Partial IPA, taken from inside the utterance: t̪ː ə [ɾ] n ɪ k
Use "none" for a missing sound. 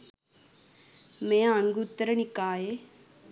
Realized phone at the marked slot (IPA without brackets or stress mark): ɾ